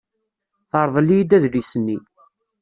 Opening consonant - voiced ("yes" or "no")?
no